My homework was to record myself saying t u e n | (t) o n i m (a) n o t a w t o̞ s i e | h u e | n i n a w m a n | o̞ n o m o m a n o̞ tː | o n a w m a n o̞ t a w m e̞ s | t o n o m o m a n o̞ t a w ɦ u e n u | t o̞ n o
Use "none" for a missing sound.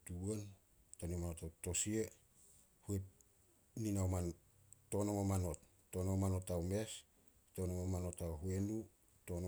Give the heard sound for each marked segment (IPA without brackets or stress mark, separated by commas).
t, a